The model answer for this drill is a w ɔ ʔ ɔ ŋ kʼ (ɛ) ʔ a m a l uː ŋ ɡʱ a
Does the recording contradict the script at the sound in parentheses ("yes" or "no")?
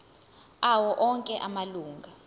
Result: no